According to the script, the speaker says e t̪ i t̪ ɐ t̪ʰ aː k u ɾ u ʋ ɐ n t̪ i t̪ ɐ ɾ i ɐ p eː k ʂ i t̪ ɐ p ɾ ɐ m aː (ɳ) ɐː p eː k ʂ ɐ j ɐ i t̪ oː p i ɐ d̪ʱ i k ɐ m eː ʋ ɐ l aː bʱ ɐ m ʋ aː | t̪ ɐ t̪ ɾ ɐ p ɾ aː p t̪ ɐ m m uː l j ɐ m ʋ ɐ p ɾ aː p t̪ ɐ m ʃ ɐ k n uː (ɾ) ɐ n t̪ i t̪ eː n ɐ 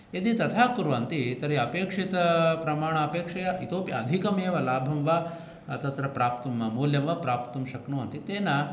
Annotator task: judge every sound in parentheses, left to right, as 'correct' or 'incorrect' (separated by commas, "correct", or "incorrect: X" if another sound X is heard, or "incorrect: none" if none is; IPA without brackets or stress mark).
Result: correct, incorrect: none